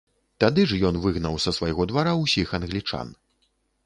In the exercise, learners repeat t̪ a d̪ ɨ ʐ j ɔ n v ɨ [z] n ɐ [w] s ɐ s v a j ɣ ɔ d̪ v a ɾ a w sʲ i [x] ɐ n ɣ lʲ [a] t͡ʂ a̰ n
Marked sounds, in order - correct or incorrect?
incorrect: ɣ, correct, correct, incorrect: i

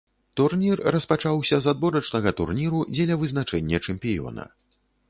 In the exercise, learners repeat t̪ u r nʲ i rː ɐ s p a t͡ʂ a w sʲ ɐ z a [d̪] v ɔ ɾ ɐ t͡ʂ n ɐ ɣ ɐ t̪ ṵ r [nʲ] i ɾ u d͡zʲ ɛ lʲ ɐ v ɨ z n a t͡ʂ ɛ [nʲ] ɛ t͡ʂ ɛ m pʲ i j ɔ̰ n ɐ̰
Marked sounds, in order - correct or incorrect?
correct, correct, incorrect: nʲː

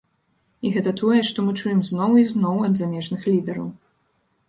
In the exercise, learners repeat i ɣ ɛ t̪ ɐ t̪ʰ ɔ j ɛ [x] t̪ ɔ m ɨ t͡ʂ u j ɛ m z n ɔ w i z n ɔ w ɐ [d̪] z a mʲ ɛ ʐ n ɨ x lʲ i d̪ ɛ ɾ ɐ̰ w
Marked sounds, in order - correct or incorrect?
incorrect: ʂ, correct

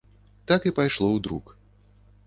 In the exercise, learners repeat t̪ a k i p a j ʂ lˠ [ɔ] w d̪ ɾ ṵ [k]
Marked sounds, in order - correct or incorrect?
correct, correct

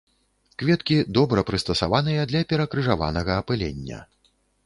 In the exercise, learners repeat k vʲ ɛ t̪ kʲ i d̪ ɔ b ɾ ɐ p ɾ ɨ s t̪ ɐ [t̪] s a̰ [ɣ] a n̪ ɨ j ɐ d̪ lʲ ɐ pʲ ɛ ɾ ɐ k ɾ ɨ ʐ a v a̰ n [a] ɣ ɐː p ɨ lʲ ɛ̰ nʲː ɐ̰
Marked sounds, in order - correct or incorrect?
incorrect: none, incorrect: v, incorrect: ɐ

